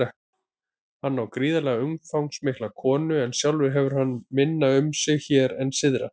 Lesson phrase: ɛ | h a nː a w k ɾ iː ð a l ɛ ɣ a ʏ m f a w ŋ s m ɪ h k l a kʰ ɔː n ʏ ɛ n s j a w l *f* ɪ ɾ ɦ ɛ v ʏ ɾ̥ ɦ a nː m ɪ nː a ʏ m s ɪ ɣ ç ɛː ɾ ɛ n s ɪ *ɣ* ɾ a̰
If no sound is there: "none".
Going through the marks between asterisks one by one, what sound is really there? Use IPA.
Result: v, ð

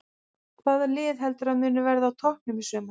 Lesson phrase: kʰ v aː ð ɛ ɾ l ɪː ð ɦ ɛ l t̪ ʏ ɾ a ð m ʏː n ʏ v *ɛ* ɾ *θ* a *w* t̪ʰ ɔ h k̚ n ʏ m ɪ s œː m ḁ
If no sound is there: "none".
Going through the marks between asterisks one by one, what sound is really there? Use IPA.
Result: ɛ, ð, w

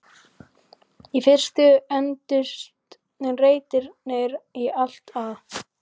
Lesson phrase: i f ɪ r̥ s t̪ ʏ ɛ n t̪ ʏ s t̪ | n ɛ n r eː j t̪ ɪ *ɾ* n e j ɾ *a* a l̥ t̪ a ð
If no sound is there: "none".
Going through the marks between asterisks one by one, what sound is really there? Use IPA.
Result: ɾ, i

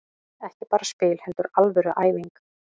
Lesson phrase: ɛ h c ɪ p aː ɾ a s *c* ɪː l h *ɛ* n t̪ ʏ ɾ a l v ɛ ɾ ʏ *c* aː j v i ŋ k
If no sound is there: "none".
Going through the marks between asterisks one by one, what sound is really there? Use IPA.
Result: p, ɛ, ʔ

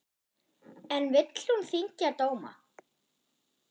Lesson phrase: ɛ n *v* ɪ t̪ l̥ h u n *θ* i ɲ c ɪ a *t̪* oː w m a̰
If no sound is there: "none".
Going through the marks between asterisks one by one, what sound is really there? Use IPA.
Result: v, θ, t̪

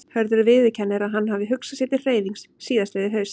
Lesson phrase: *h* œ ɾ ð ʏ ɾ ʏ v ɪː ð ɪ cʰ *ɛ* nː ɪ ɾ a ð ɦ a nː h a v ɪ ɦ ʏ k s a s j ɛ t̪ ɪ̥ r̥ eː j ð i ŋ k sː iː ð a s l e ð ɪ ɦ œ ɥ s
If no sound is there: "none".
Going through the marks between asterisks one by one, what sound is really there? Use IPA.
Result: h, ɛ

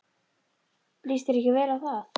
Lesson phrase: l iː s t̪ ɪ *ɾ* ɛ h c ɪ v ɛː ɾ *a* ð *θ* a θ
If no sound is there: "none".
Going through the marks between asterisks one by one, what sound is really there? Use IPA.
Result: ɾ, a, θ

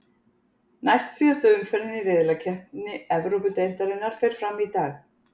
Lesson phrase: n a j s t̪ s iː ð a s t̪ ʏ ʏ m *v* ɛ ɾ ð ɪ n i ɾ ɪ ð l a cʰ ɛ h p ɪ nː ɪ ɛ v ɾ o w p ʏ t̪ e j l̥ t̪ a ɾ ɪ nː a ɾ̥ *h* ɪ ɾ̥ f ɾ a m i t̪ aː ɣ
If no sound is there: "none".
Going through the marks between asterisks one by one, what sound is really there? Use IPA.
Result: f, f

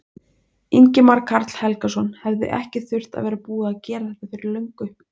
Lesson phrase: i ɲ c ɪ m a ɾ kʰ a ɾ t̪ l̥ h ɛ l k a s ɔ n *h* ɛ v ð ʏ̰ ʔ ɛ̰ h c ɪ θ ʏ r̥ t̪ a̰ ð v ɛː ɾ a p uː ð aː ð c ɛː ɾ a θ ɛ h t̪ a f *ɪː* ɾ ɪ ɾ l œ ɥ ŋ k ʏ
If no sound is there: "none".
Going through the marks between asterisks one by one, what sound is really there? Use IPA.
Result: h, ɪ

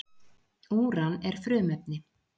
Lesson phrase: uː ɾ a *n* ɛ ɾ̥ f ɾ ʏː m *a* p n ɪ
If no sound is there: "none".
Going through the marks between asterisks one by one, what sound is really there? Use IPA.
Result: n, ɛ

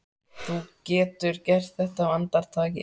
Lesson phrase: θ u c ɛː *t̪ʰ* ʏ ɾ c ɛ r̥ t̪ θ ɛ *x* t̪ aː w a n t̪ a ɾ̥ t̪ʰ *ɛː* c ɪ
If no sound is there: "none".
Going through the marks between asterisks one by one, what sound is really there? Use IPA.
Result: t̪, h, aː

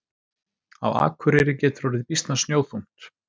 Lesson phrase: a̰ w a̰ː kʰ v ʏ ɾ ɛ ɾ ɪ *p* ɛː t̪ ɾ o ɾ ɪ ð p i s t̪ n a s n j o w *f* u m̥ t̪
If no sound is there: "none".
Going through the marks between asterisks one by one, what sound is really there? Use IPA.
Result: c, θ

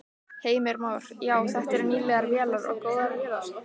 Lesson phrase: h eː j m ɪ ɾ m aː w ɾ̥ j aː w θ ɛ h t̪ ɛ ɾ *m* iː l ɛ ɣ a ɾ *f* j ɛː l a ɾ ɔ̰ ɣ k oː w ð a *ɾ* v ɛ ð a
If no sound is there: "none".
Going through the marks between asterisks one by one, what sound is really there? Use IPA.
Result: n, v, ɾ

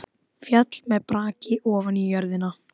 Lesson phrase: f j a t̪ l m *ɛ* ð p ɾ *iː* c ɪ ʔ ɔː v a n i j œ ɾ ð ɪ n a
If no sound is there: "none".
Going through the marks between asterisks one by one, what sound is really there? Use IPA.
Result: ɛ, aː

